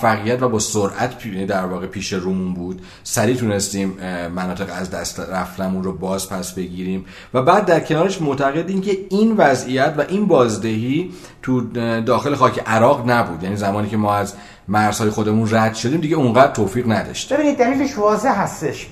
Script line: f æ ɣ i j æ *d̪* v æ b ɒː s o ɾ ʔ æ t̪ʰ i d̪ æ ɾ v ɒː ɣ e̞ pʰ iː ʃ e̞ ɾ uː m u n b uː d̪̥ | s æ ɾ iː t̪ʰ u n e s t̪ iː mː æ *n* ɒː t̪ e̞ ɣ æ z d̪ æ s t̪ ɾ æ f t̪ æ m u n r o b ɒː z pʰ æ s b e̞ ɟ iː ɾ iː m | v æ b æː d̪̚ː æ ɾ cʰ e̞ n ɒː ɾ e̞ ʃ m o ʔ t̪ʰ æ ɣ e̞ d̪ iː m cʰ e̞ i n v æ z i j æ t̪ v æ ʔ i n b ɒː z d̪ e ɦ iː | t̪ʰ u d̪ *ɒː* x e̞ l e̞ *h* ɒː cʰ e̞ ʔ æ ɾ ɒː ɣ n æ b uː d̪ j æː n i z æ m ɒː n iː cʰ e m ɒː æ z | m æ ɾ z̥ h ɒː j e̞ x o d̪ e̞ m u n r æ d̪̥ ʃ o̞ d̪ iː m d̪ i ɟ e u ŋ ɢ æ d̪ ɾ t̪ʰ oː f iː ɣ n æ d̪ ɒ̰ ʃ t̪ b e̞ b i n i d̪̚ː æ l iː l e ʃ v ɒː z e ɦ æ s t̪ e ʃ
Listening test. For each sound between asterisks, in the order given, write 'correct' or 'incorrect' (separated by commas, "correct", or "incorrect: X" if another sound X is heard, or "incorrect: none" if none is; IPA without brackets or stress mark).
incorrect: t̪, correct, correct, incorrect: x